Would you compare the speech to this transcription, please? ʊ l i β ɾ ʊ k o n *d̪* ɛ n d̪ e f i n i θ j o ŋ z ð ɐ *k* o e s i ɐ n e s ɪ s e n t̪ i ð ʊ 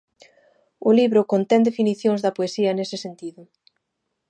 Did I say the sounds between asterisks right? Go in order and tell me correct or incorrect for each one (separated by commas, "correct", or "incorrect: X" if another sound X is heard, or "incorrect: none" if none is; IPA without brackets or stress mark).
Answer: incorrect: t̪, incorrect: p